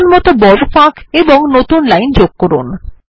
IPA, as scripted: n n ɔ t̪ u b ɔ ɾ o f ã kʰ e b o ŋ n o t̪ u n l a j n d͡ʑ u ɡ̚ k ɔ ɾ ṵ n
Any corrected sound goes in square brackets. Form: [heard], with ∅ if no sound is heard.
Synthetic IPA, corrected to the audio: n [m] ɔ t̪ [o] b ɔ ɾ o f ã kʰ e b o ŋ n o t̪ u n l a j n d͡ʑ [o] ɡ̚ k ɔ ɾ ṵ n

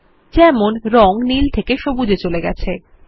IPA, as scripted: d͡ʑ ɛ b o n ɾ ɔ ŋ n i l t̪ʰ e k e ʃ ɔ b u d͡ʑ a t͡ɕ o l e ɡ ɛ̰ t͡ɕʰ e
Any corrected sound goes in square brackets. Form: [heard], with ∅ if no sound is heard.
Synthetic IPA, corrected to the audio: d͡ʑ ɛ [m] o n ɾ ɔ ŋ n i l t̪ʰ e k e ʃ [o] b u d͡ʑ [e] t͡ɕ o l e ɡ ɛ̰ t͡ɕʰ e

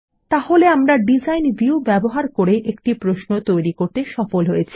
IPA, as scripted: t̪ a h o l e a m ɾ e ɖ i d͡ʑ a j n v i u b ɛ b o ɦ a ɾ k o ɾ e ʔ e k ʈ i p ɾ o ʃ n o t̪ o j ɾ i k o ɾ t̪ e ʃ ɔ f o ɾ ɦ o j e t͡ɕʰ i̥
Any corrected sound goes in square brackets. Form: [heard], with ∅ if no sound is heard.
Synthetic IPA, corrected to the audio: t̪ a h o l e a m ɾ [a] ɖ i d͡ʑ a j n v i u b ɛ b o ɦ a ɾ k o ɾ e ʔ e k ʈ i p ɾ o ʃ n o t̪ o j ɾ i k o ɾ t̪ e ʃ ɔ f o [l] ɦ o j e t͡ɕʰ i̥

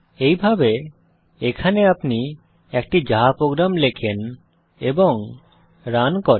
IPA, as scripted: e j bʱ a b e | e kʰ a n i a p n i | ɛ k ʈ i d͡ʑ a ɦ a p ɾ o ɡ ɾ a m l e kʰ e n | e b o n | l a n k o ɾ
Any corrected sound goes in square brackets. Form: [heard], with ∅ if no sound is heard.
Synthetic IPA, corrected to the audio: e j bʱ a b e | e kʰ a n [e] a p n i | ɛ k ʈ i d͡ʑ a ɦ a p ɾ o ɡ ɾ a m l e kʰ e n | e b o [ŋ] | [ɾ] a n k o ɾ

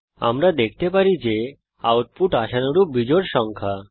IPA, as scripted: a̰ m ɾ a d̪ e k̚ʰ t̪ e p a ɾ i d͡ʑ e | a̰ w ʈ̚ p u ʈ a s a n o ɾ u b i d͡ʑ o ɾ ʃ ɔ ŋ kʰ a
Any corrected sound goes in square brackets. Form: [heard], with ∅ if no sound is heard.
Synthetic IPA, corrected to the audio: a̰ m ɾ a d̪ e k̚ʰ t̪ e p a ɾ i d͡ʑ e | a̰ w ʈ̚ p u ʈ a [ʃ] a n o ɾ u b i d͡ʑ o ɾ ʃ ɔ ŋ kʰ a

